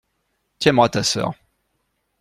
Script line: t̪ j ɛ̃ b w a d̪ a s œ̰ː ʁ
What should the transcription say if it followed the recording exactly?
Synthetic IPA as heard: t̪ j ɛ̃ m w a t̪ a s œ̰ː ʁ